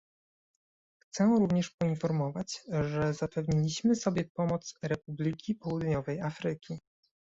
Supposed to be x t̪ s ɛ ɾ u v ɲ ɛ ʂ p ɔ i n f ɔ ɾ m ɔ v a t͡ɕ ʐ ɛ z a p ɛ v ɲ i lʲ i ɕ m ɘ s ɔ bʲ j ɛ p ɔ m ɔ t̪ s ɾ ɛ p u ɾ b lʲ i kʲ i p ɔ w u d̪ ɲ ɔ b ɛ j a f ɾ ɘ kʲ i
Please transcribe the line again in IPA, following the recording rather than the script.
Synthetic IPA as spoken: x t̪ s ɛ ɾ u v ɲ ɛ ʂ p ɔ i n f ɔ ɾ m ɔ v a t͡ɕ ʐ ɛ z a p ɛ v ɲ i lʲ i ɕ m ɘ s ɔ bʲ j ɛ p ɔ m ɔ t̪ s ɾ ɛ p u b lʲ i kʲ i p ɔ w u d̪ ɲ ɔ v ɛ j a f ɾ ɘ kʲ i